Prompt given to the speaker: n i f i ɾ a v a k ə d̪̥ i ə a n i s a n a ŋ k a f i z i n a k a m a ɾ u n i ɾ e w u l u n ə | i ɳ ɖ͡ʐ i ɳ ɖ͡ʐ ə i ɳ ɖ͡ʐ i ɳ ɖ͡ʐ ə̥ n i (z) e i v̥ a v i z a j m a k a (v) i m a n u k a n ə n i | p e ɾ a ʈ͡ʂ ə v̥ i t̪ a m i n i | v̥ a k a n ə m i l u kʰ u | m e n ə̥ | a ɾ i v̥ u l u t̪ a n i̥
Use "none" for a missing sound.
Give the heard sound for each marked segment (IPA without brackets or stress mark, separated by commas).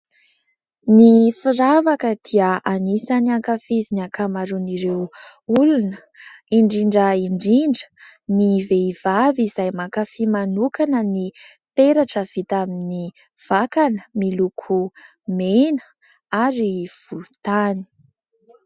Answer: v, f